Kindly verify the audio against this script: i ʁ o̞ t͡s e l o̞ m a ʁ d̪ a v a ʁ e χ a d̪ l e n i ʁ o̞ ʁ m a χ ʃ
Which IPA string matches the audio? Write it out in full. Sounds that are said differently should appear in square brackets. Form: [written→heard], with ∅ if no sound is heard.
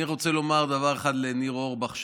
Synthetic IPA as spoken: i ʁ o̞ t͡s e l o̞ m a ʁ d̪ a v a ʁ e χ a d̪ l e n i ʁ o̞ ʁ [m→b] a χ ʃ